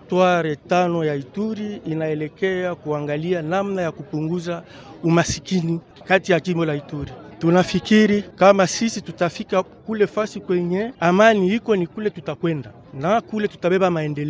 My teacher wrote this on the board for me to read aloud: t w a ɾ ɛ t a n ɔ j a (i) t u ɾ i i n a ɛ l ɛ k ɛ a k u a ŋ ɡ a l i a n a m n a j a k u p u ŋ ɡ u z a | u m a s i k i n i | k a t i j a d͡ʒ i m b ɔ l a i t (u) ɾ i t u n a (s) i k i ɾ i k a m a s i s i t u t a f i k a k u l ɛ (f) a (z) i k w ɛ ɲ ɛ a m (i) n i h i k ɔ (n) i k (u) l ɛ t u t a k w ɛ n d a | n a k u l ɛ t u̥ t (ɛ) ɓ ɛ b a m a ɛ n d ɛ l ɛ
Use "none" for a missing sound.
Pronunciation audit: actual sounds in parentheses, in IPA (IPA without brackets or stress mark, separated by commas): i, u, f, f, s, a, n, u, a